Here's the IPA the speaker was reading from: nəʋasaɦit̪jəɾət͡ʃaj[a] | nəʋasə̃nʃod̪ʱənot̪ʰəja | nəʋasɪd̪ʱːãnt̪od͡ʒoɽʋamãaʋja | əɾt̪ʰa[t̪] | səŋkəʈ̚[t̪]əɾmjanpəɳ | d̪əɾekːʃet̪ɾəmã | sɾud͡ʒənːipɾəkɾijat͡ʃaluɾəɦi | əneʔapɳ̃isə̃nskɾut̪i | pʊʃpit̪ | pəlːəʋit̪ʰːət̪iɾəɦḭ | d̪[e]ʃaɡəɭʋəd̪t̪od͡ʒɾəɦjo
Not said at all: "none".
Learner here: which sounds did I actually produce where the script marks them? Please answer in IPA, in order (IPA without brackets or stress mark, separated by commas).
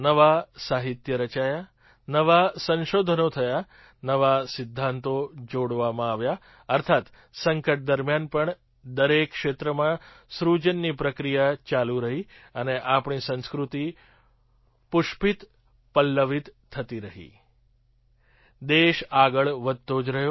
a, t̪, d̪, e